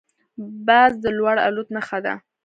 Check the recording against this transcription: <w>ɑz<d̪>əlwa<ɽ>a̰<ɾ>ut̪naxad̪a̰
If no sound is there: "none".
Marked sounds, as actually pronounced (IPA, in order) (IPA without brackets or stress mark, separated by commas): b, d̪, ɽ, l